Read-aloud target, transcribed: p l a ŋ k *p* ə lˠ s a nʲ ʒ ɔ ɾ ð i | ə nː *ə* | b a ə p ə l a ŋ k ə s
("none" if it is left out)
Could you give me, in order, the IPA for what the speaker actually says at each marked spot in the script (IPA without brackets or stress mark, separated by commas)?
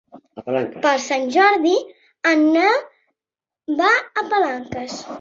p, a